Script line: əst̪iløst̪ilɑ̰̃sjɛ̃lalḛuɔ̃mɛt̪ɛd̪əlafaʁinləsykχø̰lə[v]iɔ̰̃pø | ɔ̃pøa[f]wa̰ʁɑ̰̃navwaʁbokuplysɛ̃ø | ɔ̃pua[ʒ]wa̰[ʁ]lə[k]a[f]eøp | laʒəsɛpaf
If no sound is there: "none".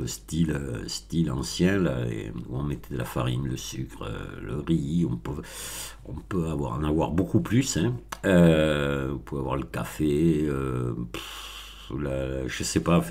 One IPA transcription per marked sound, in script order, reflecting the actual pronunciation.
ʁ, v, v, ʁ, k, f

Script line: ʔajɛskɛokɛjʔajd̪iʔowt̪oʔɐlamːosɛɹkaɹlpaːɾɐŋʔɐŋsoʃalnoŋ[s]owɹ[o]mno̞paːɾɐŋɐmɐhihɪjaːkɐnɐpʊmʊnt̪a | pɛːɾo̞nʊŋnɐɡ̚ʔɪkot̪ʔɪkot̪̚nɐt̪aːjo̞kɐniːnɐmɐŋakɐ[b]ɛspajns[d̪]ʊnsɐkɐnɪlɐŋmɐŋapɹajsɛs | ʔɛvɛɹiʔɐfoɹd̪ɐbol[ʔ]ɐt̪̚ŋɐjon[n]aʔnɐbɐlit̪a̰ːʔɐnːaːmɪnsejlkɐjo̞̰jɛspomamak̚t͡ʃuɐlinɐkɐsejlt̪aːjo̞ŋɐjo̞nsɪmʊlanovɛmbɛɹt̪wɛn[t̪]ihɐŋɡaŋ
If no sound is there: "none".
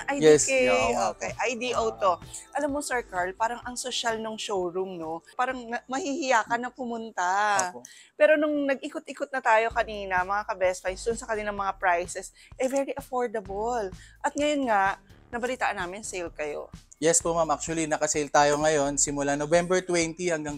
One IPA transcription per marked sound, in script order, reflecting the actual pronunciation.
ʃ, u, b, d̪, ʔ, ŋ, t̪

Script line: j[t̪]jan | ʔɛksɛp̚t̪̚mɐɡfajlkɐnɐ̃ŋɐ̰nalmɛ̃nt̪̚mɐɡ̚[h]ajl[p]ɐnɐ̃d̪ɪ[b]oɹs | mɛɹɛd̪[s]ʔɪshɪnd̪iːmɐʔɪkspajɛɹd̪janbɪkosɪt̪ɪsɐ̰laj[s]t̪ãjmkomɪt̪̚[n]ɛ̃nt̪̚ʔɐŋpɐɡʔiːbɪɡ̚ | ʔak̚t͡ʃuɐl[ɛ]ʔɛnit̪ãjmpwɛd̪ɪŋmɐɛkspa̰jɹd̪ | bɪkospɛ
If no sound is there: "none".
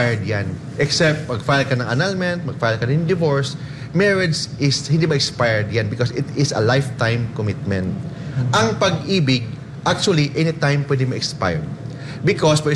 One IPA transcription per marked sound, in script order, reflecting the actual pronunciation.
d̪, f, k, v, s, f, m, i

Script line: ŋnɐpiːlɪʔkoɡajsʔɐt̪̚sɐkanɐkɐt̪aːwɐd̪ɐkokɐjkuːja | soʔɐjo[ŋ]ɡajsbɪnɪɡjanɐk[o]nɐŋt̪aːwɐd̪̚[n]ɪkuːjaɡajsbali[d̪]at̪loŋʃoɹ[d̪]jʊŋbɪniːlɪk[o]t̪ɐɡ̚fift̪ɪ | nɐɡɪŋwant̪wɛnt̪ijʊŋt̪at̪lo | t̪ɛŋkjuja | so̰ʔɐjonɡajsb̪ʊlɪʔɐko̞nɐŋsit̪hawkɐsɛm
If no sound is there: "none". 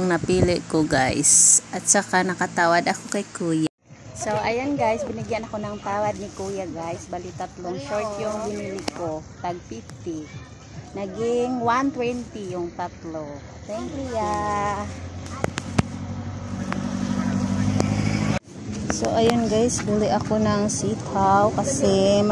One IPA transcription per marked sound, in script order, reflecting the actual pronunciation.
n, o, n, t̪, t̪, o

